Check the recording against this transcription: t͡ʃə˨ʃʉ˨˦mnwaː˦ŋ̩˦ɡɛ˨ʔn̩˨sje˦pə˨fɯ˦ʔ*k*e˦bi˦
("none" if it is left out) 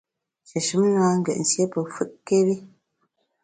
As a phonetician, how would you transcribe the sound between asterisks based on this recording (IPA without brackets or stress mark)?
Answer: k